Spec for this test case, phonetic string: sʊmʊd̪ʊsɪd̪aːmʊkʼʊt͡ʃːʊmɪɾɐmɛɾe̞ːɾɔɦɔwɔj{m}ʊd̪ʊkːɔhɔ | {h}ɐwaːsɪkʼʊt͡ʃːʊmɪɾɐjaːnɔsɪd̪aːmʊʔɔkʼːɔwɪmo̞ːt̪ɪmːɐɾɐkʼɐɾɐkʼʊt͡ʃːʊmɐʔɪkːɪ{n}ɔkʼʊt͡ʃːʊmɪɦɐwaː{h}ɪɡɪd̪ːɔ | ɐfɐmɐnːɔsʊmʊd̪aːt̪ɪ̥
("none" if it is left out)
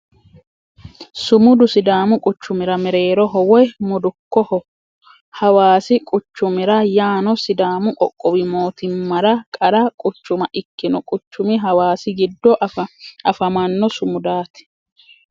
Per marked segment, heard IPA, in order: m, h, n, s

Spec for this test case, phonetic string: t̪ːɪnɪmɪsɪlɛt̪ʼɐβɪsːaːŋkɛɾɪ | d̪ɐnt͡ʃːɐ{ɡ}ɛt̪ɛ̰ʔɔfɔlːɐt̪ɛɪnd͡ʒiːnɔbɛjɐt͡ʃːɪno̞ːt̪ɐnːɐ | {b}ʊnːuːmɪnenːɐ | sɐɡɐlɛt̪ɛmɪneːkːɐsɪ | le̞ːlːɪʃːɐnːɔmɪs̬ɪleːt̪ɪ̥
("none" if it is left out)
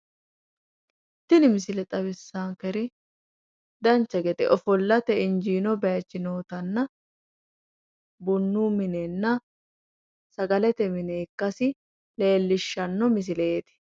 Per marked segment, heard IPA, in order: ɡ, b

